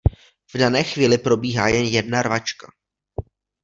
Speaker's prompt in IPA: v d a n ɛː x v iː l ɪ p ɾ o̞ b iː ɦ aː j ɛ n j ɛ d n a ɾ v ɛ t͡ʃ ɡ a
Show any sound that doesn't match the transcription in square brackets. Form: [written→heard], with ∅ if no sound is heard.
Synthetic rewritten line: v d a n ɛː x v iː l ɪ p ɾ o̞ b iː ɦ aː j ɛ n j ɛ d n a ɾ v [ɛ→a] t͡ʃ [ɡ→k] a